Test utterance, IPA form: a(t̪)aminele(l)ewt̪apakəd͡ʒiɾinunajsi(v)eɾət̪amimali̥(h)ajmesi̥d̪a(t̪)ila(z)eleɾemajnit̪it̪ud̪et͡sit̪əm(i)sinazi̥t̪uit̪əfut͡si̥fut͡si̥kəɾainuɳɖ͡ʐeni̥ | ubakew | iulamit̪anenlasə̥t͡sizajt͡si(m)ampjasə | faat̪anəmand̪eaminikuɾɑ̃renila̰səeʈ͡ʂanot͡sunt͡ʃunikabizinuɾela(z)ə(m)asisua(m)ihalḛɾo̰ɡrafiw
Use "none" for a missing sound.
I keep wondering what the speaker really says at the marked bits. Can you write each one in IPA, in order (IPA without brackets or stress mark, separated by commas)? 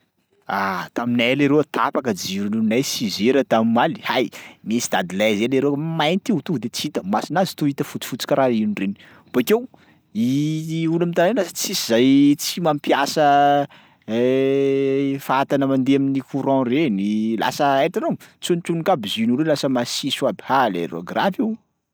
t̪, ɾ, z, h, d̪, z, a, m, s, m, b